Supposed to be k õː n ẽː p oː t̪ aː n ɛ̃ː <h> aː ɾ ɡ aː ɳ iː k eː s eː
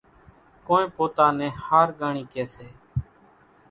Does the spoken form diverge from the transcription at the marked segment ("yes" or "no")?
no